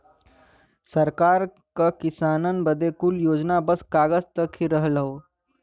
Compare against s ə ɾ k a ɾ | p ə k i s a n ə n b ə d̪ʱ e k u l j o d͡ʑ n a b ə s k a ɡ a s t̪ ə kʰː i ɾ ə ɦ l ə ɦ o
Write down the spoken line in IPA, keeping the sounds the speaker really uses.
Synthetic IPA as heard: s ə ɾ k a ɾ | k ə k i s a n ə n b ə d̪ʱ e k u l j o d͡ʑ n a b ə s k a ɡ ə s t̪ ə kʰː i ɾ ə ɦ l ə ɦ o